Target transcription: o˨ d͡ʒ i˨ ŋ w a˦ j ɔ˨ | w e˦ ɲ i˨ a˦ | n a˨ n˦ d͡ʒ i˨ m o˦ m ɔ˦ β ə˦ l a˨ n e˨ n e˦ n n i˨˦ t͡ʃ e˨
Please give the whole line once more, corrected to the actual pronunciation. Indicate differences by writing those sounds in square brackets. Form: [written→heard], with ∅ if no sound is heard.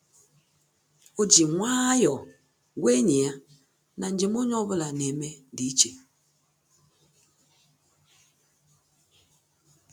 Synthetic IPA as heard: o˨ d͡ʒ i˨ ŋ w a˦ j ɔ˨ | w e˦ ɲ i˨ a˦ | n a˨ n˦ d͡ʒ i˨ m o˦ [m→ɲ] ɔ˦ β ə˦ l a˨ n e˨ [n→m] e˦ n [n→d] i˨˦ t͡ʃ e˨